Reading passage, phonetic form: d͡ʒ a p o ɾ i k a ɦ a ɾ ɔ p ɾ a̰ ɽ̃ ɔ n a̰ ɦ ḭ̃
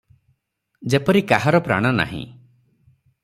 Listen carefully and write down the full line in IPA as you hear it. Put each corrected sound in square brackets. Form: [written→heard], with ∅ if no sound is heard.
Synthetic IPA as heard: d͡ʒ [a→e] p [o→ɔ] ɾ i k a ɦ a ɾ ɔ p ɾ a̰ ɽ̃ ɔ n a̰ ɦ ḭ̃

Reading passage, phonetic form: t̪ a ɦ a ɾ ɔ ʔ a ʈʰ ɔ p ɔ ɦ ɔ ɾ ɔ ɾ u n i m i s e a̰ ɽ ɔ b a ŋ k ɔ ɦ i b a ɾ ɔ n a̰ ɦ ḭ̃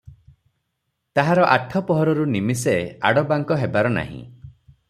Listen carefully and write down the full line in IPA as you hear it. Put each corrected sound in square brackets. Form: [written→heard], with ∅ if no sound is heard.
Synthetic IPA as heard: t̪ a ɦ a ɾ ɔ ʔ a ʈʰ ɔ p ɔ ɦ ɔ ɾ ɔ ɾ u n i m i s e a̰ ɽ ɔ b a ŋ k ɔ ɦ [i→e] b a ɾ ɔ n a̰ ɦ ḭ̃

